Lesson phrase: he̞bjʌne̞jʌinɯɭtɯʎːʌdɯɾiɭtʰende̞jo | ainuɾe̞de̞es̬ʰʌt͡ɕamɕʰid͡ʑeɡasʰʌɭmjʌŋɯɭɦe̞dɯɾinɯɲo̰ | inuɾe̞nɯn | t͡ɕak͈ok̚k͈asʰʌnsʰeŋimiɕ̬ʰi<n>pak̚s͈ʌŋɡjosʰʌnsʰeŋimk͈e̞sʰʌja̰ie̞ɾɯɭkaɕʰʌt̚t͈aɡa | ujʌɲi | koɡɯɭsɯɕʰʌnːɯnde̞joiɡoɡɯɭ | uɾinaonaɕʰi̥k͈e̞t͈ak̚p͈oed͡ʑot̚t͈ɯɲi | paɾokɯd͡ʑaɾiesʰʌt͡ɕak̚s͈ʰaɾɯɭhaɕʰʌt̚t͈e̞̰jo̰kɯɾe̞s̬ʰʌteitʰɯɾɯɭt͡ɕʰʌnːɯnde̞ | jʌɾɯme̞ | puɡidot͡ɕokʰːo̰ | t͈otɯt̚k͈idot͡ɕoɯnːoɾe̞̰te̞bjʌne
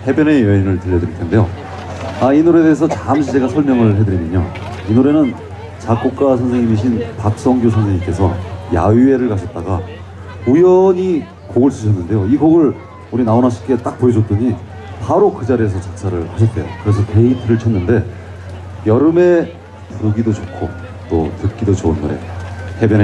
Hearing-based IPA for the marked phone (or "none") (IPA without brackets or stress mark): n